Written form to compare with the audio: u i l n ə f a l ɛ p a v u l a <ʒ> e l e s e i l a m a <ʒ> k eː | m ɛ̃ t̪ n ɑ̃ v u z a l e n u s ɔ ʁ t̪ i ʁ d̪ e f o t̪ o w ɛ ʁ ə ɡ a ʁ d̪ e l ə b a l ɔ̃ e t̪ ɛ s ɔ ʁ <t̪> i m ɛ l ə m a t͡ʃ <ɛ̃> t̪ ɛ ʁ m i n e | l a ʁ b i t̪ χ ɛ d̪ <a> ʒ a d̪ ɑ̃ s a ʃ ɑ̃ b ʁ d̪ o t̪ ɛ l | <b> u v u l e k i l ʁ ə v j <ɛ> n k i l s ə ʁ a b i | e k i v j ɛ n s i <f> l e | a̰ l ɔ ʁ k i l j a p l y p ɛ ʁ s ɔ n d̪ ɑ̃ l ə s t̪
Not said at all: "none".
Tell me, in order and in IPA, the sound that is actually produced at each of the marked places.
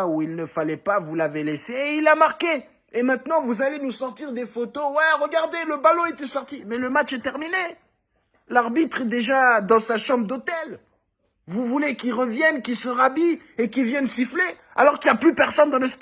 v, ʁ, t̪, ɛ, e, v, ɛ, f

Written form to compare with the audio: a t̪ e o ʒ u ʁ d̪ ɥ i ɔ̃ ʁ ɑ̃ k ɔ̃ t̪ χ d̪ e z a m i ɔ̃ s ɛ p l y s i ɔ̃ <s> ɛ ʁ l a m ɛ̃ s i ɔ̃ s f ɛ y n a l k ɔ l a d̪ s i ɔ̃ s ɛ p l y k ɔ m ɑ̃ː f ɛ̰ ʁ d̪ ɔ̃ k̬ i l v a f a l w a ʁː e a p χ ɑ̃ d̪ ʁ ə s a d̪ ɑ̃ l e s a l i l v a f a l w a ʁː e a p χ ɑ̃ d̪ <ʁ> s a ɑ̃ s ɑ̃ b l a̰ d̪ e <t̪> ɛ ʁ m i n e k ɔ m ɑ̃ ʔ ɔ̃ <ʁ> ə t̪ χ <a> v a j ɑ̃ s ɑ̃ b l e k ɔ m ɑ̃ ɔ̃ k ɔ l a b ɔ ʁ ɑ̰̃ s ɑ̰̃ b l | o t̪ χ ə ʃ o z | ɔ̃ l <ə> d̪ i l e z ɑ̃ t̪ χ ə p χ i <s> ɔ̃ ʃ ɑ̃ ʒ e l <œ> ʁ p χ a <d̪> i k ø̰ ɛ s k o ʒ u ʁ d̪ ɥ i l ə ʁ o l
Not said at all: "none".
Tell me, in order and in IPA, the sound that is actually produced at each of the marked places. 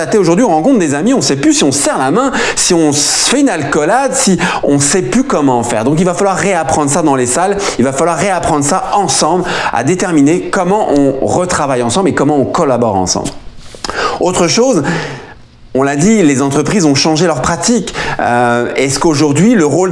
s, ʁ, t̪, ʁ, a, a, z, œ, t̪

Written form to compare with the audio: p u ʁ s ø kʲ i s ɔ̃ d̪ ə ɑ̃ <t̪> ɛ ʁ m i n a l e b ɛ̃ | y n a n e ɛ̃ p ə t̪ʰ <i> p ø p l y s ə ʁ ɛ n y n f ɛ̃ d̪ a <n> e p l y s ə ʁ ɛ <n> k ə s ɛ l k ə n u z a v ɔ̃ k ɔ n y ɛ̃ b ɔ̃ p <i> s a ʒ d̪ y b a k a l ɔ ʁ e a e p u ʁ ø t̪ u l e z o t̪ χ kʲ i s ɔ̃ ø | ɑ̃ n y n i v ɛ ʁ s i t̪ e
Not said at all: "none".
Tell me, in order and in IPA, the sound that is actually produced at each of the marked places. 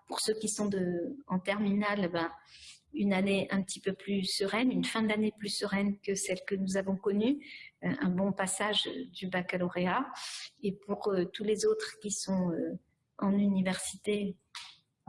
t̪, i, n, n, a

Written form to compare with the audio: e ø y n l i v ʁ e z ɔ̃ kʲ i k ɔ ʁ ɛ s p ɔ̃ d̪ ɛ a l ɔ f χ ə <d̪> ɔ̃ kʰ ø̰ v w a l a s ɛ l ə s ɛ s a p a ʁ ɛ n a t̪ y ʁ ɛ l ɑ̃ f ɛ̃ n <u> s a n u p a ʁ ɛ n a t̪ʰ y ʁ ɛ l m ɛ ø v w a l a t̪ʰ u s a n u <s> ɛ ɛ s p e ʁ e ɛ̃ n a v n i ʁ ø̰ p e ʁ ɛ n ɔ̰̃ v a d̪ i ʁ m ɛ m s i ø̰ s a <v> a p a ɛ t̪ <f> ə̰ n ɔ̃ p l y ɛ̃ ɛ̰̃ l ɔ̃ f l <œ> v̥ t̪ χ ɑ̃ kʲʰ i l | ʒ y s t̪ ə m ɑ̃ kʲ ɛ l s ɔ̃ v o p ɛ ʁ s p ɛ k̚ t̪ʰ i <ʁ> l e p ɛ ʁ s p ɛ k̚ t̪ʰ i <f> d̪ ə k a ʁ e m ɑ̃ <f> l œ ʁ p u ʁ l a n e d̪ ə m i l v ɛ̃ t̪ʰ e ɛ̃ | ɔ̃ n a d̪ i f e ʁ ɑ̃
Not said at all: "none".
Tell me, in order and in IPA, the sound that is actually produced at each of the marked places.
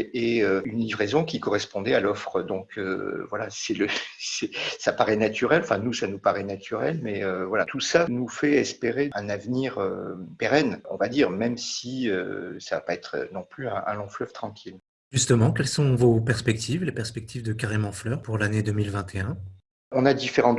d̪, u, f, v, χ, œ, v, v, f

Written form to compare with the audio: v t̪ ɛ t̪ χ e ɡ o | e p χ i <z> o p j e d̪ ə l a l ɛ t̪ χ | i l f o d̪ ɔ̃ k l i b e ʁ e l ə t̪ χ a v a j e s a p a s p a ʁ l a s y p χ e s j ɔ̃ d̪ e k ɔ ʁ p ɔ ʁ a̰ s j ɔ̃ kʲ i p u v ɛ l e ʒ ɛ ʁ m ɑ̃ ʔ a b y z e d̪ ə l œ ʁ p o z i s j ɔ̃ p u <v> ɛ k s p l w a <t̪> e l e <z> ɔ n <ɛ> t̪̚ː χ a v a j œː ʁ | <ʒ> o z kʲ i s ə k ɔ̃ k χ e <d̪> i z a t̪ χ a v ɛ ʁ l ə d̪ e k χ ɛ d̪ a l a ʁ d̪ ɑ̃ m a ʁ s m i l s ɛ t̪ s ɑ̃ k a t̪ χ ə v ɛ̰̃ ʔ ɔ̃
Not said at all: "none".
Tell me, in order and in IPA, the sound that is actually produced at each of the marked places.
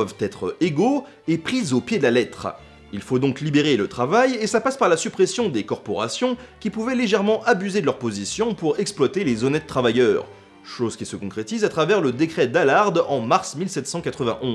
z, ʁ, t̪, z, ɛ, ʃ, t̪

